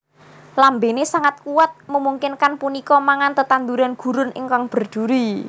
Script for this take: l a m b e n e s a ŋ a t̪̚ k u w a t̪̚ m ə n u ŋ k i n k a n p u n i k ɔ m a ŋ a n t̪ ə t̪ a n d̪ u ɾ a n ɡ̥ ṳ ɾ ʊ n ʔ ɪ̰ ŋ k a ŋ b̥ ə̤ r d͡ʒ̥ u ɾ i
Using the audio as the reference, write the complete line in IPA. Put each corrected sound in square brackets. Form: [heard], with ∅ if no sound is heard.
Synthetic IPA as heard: l a m b e n e s a ŋ a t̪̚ k u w a t̪̚ m ə [m] u ŋ k [ɪ] n k a n p u n i k ɔ m a ŋ a n t̪ ə t̪ a n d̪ u ɾ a n ɡ̥ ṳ ɾ ʊ n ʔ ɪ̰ ŋ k a ŋ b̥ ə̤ r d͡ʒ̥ u ɾ i